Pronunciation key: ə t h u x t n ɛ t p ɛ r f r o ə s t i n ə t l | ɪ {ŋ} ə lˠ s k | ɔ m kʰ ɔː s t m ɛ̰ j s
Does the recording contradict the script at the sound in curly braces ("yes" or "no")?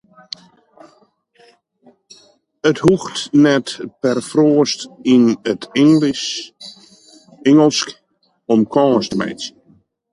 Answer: no